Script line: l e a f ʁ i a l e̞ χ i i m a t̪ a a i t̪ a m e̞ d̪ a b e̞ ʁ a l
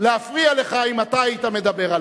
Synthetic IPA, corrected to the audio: l e a f ʁ i a l e̞ χ a i m a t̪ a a i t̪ a m e̞ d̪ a b e̞ ʁ a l